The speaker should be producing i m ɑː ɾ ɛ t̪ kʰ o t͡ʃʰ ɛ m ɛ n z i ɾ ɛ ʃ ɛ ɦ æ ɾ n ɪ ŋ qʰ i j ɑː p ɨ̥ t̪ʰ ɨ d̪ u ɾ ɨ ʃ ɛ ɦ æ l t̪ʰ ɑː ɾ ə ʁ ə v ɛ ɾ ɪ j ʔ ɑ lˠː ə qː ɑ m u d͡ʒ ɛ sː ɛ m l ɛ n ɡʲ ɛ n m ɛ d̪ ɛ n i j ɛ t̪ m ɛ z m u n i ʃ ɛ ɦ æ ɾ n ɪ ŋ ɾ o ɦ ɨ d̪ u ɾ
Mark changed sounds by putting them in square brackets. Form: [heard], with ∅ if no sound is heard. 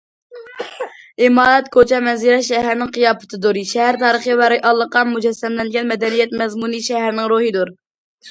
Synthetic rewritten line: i m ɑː ɾ ɛ t̪ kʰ o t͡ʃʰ ɛ m ɛ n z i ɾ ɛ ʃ ɛ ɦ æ ɾ n ɪ ŋ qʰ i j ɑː p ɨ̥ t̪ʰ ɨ d̪ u ɾ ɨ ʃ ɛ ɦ æ [ɾ] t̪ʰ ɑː ɾ ə [χ] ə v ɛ ɾ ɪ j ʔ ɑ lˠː ə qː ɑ m u d͡ʒ ɛ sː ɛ m l ɛ n ɡʲ ɛ n m ɛ d̪ ɛ n i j ɛ t̪ m ɛ z m u n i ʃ ɛ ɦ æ ɾ n ɪ ŋ ɾ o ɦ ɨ d̪ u ɾ